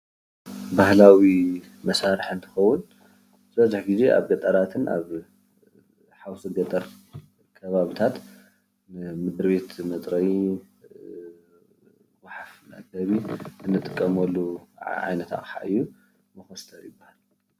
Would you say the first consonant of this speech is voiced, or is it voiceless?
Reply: voiced